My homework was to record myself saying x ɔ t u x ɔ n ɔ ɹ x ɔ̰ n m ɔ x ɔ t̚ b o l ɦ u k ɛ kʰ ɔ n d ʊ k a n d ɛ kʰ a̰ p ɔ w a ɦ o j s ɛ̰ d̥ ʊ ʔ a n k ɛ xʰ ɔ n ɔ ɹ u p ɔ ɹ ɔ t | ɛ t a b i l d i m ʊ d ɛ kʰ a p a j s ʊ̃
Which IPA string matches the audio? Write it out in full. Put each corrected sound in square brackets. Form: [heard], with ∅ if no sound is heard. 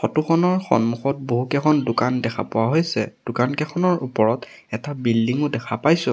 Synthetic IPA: x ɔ t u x ɔ n ɔ ɹ x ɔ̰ n m [u] x ɔ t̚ b o [∅] ɦ u k ɛ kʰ ɔ n d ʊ k a n d ɛ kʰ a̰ p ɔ w a ɦ o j s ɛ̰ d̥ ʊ [k] a n k ɛ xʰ ɔ n ɔ ɹ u p ɔ ɹ ɔ t | ɛ t a b i l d i [ŋ] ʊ d ɛ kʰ a p a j s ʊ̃